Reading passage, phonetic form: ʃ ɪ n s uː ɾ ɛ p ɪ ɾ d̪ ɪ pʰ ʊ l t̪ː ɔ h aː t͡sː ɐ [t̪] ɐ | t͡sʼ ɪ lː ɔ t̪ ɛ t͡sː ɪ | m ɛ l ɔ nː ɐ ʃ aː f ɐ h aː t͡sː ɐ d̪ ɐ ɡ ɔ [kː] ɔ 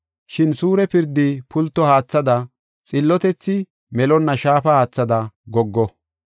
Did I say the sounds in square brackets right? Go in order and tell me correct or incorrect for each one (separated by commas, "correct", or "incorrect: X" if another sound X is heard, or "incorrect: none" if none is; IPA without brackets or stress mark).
incorrect: d̪, incorrect: ɡː